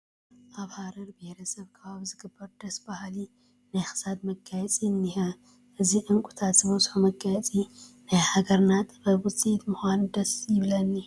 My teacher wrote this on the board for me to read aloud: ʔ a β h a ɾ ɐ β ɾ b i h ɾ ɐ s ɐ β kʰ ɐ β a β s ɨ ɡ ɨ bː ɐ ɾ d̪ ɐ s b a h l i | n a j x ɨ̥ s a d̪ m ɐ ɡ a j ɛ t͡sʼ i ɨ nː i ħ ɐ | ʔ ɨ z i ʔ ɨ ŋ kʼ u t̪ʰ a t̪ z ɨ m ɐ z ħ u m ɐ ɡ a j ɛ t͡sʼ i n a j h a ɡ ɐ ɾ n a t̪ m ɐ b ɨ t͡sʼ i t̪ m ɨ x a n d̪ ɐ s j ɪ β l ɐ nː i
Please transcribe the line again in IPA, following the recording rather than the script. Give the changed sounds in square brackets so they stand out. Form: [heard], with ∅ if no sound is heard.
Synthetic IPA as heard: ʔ a β h a ɾ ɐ [∅] ɾ b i h ɾ ɐ s ɐ β kʰ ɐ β a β [z] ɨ ɡ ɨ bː ɐ ɾ d̪ ɐ s b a h l i | n a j x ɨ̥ s a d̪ m ɐ ɡ a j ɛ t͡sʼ i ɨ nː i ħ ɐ | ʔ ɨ z i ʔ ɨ ŋ kʼ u t̪ʰ a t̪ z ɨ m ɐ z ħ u m ɐ ɡ a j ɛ t͡sʼ i n a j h a ɡ ɐ ɾ n a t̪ [b] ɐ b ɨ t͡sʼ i t̪ m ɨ x a n d̪ ɐ s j ɪ β l ɐ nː i